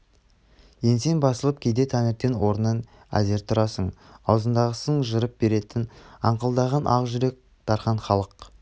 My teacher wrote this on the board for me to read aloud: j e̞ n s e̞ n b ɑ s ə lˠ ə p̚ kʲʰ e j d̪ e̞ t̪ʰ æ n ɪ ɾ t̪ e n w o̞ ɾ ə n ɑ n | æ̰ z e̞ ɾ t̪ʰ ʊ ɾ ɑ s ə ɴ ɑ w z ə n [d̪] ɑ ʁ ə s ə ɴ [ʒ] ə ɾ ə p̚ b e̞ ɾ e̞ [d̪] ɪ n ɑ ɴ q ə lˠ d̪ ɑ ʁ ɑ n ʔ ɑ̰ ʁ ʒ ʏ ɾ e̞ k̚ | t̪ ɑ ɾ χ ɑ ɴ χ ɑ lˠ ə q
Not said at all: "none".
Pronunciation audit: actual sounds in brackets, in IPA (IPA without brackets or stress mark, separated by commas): d̪, ʒ, t̪